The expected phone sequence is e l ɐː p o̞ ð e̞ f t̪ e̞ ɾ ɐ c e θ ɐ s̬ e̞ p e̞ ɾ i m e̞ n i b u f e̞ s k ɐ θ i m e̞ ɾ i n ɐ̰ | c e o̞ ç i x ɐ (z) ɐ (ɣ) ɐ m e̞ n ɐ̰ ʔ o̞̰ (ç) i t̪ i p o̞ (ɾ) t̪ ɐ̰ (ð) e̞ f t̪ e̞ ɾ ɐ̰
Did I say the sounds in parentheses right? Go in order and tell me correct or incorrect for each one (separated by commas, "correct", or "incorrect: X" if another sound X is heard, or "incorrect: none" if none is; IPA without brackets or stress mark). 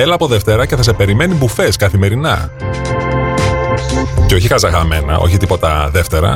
correct, correct, correct, incorrect: none, correct